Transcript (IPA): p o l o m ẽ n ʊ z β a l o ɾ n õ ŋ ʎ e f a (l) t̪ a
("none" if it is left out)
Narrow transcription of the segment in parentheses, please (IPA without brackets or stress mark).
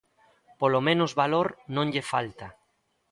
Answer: l